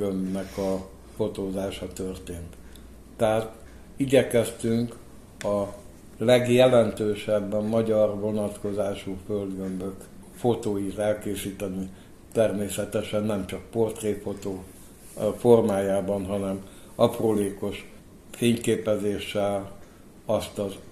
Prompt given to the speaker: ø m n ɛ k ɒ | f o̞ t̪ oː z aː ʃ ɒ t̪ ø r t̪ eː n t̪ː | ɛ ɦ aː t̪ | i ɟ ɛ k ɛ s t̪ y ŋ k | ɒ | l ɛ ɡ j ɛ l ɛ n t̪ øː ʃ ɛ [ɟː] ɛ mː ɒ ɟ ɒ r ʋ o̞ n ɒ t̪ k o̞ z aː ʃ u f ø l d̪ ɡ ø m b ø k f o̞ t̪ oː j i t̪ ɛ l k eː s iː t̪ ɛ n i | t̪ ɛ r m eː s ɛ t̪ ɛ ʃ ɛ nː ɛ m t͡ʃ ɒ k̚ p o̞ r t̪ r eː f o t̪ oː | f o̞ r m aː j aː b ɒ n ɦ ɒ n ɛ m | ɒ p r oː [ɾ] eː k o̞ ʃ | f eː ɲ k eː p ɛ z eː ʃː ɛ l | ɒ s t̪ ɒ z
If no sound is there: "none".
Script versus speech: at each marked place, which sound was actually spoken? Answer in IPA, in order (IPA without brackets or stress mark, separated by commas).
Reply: bː, l